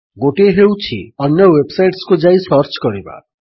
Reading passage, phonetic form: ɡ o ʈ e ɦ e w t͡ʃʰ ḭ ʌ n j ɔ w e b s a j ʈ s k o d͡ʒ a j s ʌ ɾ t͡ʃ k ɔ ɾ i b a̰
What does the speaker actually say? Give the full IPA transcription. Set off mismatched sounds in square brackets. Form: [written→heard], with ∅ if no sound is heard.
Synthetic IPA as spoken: ɡ o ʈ e ɦ e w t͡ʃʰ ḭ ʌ n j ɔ w e b s a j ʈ s k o d͡ʒ a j s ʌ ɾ t͡ʃ k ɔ ɾ i b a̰